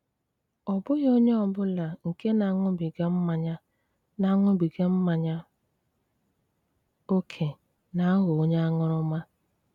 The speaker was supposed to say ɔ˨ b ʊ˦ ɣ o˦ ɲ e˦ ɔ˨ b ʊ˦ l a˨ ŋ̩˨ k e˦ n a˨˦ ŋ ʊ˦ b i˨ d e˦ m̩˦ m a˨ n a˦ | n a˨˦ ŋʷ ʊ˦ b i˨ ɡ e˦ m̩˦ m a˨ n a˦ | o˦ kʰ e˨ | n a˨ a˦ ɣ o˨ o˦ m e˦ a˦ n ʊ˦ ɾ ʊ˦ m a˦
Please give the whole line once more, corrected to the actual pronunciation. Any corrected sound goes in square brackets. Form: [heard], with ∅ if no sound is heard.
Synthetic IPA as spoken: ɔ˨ b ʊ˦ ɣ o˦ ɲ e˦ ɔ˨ b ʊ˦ l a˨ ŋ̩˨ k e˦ n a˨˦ ŋ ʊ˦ b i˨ [ɡ] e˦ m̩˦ m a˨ [ɲ] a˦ | n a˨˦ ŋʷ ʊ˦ b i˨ ɡ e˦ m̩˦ m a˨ [ɲ] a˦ | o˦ kʰ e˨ | n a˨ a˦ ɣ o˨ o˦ [ɲ] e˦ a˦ [ŋ] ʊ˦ ɾ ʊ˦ m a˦